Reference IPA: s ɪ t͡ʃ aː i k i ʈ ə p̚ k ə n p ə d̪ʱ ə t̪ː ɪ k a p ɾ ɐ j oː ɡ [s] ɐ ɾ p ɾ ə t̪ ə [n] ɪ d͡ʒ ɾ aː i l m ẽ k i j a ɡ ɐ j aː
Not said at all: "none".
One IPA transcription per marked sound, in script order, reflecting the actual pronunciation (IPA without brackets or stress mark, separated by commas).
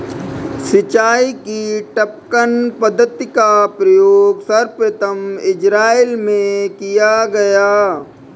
s, m